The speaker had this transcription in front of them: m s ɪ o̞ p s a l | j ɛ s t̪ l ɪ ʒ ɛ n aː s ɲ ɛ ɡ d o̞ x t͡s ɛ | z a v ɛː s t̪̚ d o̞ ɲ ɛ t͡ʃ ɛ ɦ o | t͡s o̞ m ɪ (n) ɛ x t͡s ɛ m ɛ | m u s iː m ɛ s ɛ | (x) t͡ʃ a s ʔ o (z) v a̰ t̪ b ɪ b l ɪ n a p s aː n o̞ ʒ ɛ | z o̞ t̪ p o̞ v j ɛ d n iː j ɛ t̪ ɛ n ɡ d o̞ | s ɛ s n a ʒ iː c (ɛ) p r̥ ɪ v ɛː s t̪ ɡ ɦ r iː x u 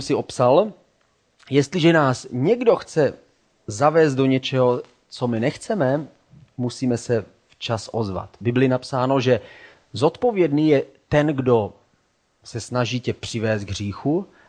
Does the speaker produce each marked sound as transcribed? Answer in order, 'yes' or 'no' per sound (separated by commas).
yes, no, yes, yes